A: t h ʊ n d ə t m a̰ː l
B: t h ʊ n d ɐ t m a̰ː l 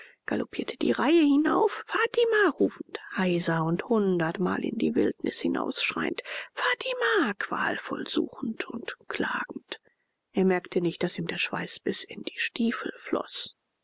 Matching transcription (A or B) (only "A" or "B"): B